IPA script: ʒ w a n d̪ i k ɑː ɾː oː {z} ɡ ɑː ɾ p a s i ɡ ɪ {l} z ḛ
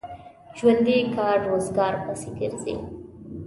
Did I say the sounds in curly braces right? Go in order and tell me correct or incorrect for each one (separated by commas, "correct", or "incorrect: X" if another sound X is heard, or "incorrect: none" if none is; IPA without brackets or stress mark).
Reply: correct, incorrect: ɾ